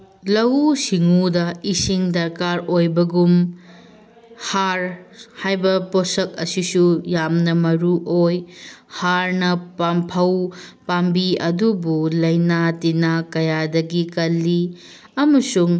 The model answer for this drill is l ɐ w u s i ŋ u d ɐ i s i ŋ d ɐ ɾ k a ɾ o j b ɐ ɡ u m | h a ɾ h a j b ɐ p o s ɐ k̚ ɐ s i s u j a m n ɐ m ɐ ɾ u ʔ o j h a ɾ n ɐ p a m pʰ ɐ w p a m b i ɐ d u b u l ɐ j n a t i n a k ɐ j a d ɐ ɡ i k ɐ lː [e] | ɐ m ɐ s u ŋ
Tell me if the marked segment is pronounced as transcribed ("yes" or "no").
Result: no